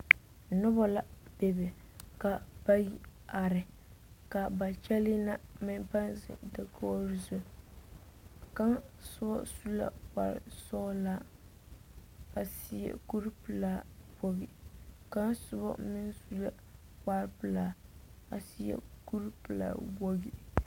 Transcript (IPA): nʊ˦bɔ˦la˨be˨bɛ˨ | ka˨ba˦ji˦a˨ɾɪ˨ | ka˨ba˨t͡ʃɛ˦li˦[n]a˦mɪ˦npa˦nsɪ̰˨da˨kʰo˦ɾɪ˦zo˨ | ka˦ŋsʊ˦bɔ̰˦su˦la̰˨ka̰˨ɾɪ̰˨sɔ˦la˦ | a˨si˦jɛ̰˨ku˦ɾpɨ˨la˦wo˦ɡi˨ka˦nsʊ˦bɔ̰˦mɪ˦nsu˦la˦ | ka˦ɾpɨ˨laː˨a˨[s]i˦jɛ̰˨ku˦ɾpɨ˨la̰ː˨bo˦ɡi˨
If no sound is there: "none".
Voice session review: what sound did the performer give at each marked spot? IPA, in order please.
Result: n, s

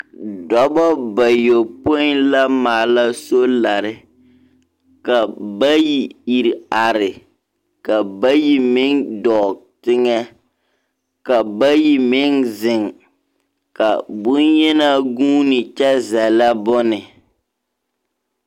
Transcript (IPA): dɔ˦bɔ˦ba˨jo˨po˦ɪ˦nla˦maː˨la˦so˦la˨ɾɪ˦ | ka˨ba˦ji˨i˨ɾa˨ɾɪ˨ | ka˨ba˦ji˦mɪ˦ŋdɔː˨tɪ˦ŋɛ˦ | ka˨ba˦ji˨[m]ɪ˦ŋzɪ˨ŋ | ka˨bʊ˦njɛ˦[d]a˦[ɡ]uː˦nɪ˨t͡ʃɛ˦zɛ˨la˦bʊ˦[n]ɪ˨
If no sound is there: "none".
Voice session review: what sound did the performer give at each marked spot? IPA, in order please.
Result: m, n, ɡ, n

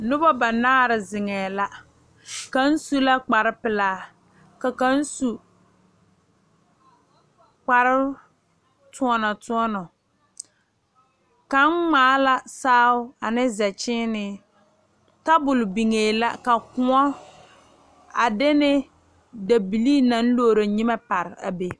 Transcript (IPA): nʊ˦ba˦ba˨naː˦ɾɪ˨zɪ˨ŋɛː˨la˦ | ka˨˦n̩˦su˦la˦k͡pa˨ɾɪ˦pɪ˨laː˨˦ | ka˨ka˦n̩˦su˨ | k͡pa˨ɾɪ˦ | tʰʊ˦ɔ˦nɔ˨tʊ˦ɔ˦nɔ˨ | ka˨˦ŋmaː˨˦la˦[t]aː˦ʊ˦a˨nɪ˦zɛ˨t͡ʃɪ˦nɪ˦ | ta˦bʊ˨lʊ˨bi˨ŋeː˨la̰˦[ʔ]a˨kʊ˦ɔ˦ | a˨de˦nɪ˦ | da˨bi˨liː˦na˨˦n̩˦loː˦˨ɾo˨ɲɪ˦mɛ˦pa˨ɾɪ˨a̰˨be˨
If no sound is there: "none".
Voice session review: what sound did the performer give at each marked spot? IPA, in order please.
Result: s, k

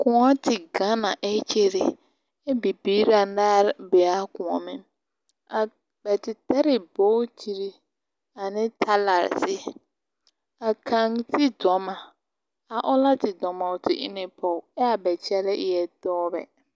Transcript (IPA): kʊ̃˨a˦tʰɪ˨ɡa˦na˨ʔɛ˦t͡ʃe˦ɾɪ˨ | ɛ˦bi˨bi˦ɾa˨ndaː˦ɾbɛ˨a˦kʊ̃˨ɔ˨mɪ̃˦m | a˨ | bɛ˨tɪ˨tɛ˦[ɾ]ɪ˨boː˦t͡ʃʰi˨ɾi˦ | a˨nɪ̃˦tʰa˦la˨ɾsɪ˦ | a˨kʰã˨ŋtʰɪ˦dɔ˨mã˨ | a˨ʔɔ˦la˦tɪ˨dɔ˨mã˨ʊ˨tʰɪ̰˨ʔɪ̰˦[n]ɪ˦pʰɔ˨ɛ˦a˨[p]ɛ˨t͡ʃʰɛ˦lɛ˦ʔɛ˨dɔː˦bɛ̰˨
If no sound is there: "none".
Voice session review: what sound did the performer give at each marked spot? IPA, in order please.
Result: ɾ, n, b

